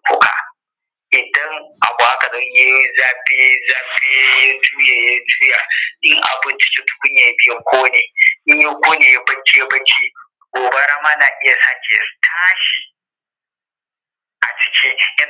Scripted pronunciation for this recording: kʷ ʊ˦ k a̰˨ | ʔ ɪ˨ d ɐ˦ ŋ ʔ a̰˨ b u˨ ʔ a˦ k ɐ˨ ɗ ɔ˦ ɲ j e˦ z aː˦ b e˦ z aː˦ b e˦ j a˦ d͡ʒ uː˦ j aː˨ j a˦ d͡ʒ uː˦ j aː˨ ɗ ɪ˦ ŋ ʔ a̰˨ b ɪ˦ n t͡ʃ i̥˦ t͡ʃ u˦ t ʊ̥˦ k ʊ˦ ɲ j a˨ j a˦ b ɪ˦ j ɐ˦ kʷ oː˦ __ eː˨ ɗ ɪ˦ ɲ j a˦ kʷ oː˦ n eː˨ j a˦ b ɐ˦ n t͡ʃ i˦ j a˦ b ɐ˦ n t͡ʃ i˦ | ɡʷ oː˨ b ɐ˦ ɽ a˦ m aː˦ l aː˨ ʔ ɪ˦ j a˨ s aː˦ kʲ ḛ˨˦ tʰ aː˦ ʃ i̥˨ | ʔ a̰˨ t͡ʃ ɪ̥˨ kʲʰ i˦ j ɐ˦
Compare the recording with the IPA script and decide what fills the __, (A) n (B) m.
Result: A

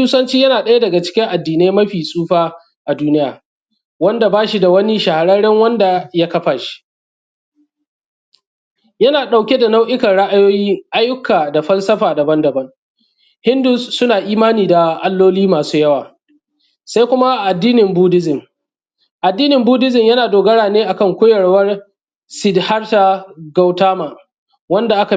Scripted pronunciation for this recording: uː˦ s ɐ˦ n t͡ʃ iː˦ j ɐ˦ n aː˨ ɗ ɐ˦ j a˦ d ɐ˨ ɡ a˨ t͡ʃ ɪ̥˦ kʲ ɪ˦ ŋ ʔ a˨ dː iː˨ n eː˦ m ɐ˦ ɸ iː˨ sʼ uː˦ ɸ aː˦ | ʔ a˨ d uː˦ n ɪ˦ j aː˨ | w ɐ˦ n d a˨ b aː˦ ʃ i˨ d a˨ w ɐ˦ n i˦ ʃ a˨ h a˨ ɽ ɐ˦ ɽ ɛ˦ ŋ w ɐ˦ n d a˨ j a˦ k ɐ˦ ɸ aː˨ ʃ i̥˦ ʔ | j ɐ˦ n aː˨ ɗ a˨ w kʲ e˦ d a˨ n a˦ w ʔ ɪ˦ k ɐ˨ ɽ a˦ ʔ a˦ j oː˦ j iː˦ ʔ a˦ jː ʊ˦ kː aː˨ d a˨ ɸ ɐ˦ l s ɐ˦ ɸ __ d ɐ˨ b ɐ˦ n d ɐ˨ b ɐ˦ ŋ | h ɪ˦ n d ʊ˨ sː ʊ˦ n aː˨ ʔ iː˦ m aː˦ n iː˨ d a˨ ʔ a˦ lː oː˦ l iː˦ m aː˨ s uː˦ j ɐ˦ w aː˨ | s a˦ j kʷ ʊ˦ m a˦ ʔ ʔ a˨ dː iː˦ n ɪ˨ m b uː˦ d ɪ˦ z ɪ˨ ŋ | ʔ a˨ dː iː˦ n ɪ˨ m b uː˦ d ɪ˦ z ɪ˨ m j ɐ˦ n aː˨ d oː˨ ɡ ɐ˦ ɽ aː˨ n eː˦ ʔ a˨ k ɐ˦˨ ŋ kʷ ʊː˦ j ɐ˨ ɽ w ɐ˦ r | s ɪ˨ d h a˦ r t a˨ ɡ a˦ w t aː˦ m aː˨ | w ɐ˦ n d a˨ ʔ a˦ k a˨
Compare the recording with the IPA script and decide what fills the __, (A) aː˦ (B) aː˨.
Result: B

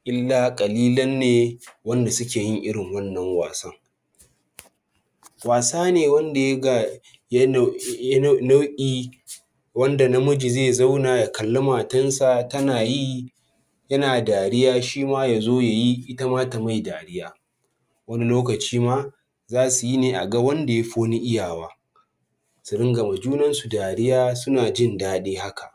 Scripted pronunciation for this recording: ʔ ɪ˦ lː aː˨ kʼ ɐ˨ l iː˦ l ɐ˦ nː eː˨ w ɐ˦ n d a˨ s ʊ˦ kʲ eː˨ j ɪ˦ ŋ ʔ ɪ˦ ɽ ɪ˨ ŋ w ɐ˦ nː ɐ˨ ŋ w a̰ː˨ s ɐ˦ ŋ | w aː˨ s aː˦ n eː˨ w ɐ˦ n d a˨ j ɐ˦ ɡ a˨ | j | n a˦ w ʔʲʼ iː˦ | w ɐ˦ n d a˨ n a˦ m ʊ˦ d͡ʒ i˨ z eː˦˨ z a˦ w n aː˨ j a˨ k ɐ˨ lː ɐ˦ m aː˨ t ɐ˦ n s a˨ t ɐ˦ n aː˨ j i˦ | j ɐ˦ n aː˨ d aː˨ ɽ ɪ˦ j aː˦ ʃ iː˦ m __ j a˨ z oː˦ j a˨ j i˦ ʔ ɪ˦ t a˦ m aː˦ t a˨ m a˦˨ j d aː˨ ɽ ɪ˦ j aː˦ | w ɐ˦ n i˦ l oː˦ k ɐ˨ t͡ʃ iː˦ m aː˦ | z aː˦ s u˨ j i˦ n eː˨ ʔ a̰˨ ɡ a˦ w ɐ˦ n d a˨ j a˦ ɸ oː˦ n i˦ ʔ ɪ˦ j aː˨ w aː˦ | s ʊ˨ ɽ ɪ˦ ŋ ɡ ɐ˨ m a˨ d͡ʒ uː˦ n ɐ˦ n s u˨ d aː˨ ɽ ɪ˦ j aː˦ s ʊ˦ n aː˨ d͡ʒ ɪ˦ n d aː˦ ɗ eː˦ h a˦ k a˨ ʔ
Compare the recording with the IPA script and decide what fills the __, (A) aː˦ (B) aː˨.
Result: A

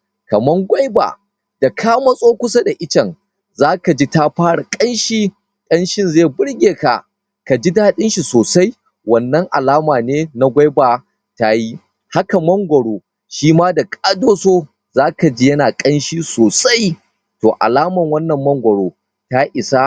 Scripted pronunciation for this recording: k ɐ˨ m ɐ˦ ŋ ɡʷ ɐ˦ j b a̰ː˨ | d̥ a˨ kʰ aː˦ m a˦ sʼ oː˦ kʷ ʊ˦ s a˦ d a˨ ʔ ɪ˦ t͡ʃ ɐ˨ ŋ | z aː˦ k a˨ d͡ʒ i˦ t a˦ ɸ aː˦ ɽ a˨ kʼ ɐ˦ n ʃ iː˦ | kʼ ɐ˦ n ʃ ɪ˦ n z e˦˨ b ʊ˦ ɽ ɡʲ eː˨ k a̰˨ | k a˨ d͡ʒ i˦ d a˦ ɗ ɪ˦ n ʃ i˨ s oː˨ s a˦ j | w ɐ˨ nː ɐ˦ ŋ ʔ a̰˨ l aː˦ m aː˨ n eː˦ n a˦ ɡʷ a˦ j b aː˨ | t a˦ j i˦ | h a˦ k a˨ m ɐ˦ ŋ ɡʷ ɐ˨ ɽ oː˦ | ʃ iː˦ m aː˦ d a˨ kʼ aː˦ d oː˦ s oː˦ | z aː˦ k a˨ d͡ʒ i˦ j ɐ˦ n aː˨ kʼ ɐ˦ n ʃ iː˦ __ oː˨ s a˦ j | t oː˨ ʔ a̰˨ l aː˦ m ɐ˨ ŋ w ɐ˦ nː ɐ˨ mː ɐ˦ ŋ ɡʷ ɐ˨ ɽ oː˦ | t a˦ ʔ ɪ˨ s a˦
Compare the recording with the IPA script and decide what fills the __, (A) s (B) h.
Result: A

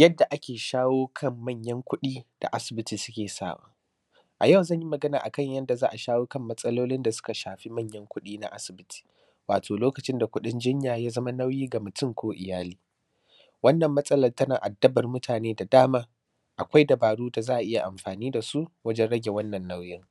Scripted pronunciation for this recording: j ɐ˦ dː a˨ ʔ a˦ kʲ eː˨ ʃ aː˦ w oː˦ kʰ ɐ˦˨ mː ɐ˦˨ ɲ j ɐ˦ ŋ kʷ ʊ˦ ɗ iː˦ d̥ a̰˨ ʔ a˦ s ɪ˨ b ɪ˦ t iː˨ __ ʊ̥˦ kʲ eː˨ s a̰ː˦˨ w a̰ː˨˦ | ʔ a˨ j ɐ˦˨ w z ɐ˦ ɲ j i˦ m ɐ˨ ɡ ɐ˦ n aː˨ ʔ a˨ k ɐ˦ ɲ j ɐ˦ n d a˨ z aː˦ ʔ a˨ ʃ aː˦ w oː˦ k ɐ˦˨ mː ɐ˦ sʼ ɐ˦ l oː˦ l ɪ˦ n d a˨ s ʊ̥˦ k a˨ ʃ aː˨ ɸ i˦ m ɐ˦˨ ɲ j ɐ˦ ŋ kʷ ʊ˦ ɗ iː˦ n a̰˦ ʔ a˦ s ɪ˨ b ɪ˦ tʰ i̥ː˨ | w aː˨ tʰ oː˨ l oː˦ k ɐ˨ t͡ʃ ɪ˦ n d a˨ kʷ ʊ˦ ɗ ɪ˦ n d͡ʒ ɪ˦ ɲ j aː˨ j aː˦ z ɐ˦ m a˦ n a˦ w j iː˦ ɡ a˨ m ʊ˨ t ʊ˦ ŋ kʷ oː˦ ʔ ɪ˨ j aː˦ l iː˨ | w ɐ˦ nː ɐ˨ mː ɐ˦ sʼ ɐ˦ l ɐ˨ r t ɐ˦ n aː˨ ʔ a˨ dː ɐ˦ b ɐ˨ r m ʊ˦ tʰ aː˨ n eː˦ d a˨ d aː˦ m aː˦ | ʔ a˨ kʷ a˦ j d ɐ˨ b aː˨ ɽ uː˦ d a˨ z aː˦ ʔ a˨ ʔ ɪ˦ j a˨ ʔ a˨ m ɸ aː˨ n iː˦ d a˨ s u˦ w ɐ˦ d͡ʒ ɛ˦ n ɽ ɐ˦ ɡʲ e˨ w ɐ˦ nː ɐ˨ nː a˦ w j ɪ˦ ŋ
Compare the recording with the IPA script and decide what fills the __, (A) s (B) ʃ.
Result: A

